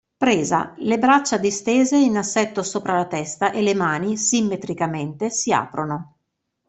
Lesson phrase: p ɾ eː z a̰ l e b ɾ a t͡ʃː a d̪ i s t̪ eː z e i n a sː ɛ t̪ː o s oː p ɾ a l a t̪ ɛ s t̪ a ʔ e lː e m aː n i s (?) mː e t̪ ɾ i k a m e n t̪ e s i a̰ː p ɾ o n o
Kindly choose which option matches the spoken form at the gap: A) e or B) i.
B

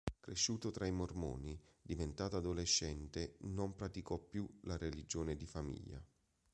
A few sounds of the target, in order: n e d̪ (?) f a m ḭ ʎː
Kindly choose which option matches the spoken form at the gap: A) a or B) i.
B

